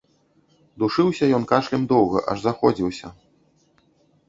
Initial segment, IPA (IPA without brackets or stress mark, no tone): d̪